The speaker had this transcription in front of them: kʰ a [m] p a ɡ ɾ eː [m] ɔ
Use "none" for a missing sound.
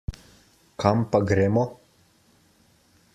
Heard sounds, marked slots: m, m

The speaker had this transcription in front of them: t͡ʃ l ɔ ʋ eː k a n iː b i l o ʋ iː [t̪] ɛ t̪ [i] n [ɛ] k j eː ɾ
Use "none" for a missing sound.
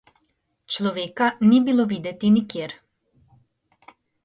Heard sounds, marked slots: d̪, i, i

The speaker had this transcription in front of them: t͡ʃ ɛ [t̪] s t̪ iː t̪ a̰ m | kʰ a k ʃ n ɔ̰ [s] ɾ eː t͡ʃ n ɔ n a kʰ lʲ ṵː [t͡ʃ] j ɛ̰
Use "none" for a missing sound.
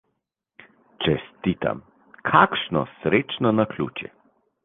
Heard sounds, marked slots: none, s, t͡ʃ

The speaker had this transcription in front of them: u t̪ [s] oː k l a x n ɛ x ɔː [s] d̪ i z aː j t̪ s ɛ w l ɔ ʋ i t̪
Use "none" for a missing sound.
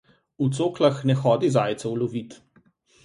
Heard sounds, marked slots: s, none

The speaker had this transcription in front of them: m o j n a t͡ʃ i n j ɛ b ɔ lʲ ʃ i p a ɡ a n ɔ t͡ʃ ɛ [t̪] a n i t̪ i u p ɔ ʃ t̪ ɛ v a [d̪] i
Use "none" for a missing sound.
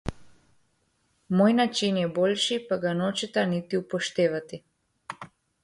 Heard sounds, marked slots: t̪, t̪

